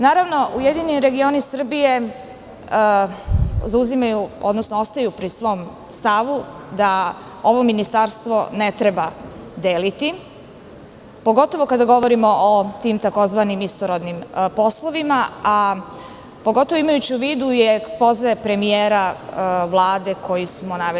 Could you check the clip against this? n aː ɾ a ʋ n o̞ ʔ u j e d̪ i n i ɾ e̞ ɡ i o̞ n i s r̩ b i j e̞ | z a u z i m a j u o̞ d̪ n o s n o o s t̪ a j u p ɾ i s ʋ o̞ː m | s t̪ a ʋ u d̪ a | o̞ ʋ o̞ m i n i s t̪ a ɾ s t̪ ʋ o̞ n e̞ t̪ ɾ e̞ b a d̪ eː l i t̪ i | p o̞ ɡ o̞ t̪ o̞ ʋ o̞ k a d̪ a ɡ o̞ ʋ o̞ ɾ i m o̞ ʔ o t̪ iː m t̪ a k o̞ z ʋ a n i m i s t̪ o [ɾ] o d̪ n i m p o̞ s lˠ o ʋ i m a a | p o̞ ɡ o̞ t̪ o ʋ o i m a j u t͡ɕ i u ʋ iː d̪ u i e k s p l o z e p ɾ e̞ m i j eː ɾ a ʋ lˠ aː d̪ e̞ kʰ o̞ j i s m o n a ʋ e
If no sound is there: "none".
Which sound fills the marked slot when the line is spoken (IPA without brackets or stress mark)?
ɾ